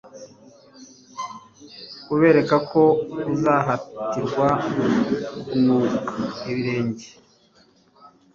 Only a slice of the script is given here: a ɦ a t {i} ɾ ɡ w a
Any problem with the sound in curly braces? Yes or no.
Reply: no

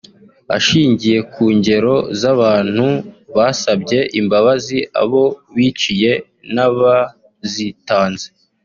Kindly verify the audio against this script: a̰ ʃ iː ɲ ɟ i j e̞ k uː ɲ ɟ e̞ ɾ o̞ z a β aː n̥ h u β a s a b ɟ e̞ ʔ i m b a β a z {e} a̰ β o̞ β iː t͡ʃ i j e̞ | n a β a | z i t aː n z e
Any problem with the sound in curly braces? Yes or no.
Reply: yes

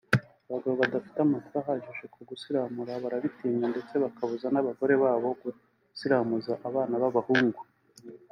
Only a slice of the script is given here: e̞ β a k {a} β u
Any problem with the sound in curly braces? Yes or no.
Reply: no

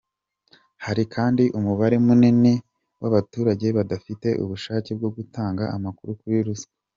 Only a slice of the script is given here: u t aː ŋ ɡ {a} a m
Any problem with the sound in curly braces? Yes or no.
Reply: no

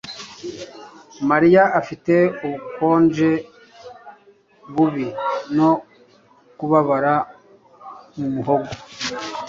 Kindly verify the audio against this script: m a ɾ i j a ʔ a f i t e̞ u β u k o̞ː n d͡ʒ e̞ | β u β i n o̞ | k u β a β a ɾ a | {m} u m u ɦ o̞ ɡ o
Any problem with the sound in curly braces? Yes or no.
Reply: no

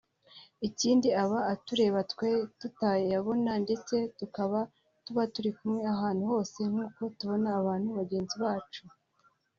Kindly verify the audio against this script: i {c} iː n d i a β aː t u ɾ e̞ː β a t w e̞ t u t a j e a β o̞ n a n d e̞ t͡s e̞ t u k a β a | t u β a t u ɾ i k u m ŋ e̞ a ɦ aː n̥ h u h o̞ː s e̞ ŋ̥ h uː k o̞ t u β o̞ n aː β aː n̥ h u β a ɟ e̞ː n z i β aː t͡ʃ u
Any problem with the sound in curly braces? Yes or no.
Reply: no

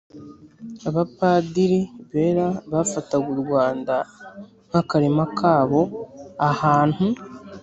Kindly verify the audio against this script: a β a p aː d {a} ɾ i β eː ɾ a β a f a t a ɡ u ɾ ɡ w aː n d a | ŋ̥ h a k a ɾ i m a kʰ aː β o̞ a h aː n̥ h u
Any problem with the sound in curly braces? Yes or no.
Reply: yes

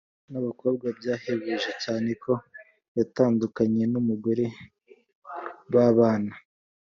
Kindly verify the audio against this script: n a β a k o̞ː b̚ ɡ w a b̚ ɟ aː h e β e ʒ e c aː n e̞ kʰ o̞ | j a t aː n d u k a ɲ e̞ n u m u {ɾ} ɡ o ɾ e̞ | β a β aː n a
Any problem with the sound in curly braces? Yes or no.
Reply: yes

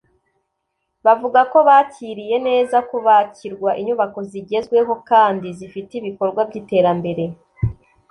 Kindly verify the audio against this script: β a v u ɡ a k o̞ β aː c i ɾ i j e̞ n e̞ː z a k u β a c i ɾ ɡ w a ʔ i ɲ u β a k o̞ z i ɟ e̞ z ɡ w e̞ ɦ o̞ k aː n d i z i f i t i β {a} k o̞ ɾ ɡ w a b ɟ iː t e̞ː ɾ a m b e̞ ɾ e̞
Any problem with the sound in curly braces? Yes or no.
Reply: yes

